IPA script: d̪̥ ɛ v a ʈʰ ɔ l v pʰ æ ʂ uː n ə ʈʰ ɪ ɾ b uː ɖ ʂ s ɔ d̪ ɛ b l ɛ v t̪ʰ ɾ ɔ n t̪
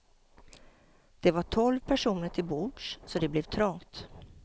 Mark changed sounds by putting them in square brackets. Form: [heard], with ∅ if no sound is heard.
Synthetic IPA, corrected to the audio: d̪̥ ɛ v a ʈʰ ɔ l v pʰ æ ʂ uː n ə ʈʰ ɪ [l] b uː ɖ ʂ s ɔ d̪ ɛ b l ɛ v t̪ʰ ɾ ɔ [ŋ] t̪